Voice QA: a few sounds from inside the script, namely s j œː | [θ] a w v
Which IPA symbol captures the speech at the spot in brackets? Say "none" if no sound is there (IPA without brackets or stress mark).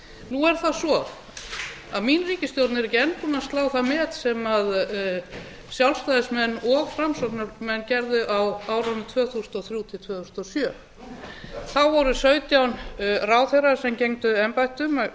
θ